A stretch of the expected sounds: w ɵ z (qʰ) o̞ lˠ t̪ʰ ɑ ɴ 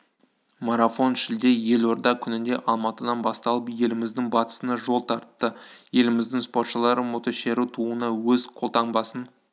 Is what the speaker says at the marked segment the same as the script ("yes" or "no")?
yes